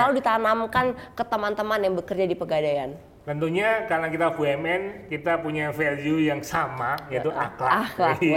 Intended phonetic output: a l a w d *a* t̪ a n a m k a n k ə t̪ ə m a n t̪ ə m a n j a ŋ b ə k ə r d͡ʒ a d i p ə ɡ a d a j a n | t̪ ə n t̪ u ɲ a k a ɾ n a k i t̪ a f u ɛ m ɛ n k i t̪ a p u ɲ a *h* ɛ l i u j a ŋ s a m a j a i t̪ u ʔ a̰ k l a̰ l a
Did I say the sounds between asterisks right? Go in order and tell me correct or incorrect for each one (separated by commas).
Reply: incorrect, incorrect